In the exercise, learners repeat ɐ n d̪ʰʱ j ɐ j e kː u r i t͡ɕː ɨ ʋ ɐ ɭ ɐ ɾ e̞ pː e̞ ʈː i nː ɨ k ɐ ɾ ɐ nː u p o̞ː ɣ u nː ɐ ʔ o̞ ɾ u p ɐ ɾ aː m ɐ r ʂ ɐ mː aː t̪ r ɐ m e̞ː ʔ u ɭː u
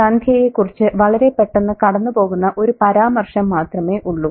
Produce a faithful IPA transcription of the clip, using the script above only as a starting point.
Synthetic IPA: ɐ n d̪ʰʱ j ɐ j e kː u r i t͡ɕː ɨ ʋ ɐ ɭ ɐ ɾ e̞ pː e̞ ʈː e nː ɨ k ɐ ɽ ɐ nː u p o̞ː ɣ u nː ɐ ʔ o̞ ɾ u p ɐ ɾ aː m ɐ r ʂ ɐ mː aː t̪ r ɐ m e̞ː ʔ u ɭː u